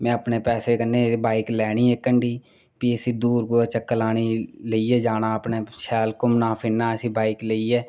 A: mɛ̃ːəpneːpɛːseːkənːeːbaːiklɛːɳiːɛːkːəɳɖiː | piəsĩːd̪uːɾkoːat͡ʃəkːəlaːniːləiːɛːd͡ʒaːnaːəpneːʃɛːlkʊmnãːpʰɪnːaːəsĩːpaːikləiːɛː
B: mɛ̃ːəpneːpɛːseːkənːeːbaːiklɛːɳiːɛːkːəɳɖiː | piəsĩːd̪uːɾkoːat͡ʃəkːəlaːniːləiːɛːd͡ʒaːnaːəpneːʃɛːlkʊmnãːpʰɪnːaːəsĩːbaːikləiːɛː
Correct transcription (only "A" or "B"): B